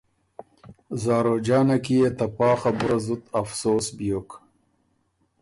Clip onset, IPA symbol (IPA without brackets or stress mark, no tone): z